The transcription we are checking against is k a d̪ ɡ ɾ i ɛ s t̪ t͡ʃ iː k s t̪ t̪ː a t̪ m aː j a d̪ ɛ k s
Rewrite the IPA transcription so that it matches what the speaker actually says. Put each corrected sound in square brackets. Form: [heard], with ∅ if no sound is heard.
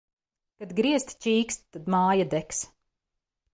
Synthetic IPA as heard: k a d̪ ɡ ɾ i ɛ s t̪ t͡ʃ iː k s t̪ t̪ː a [d̪] m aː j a d̪ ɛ k s